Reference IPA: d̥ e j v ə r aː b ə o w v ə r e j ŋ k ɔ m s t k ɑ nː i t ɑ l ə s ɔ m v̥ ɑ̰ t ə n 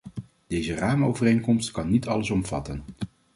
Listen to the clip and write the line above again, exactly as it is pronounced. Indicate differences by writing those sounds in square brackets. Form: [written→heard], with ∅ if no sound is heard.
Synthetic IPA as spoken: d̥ e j [v→z] ə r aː [b→m] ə o w v ə r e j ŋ k ɔ m s t k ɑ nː i t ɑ l ə s ɔ m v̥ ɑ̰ t ə n